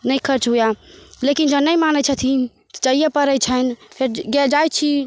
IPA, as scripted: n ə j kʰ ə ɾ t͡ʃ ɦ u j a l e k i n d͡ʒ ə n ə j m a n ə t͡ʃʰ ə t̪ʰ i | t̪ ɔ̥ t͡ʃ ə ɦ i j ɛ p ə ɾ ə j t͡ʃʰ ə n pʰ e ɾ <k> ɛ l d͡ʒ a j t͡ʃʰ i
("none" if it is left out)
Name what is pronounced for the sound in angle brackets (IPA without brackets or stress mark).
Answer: ɡ